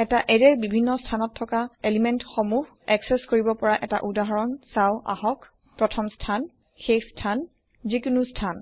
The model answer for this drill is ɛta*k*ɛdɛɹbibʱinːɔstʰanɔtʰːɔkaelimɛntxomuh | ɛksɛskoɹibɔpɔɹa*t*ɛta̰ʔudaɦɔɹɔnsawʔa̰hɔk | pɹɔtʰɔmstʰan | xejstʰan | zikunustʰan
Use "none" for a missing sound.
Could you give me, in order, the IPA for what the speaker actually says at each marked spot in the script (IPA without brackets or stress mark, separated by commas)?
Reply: ʔ, ʔ